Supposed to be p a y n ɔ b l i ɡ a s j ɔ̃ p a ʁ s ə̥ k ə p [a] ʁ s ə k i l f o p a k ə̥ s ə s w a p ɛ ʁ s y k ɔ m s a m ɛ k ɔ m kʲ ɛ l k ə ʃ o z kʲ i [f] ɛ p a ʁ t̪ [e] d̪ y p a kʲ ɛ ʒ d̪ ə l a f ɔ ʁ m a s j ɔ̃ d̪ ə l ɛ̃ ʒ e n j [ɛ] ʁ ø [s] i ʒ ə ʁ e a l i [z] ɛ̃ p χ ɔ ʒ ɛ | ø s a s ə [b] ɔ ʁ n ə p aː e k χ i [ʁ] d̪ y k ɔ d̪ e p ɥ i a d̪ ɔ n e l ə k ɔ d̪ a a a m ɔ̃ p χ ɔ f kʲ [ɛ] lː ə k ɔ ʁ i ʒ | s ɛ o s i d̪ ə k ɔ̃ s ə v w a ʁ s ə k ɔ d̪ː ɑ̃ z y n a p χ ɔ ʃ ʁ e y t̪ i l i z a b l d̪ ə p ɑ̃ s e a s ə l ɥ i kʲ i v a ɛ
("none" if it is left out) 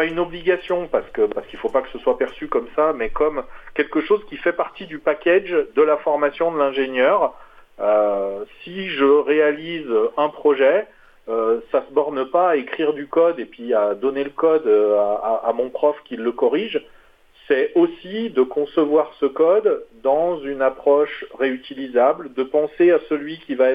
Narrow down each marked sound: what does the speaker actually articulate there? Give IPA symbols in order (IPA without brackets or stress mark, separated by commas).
a, f, i, œ, s, z, b, ʁ, i